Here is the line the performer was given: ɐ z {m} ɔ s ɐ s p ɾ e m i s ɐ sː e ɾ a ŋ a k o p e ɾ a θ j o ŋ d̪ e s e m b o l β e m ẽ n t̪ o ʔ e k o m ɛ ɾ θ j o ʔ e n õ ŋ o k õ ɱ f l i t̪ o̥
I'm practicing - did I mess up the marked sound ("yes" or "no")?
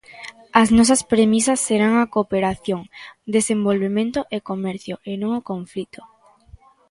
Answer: yes